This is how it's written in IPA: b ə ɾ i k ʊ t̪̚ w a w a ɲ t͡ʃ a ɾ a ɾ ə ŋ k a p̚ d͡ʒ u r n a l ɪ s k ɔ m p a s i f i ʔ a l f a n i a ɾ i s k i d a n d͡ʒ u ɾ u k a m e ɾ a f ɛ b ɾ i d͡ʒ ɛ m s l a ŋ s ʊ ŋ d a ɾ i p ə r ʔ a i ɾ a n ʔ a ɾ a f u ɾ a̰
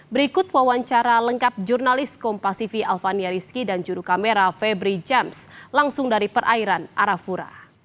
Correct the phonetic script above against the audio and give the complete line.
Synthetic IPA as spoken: b ə ɾ i k ʊ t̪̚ w a w a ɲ t͡ʃ a ɾ a l ə ŋ k a p̚ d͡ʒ u r n a l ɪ s k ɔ m p a s i f i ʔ a l f a n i a ɾ i s k i d a n d͡ʒ u ɾ u k a m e ɾ a f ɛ b ɾ i d͡ʒ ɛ m s l a ŋ s ʊ ŋ d a ɾ i p ə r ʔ a i ɾ a n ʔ a ɾ a f u ɾ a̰